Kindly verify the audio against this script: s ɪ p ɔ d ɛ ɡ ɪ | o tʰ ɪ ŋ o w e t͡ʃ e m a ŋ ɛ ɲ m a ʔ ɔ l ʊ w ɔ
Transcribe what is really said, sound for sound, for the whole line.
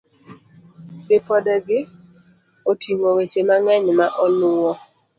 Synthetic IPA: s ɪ p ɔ d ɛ ɡ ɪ | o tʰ i ŋ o w e t͡ʃ e m a ŋ ɛ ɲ m a ʔ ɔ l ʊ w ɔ